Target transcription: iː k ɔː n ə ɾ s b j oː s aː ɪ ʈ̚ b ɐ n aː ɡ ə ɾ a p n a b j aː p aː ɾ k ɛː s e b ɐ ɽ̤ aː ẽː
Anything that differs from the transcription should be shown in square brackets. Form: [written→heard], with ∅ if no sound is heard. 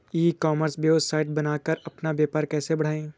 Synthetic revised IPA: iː k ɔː [n→m] ə ɾ s b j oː s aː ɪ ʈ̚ b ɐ n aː [ɡ→k] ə ɾ [a→ɐ] p n a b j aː p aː ɾ k ɛː s e b ɐ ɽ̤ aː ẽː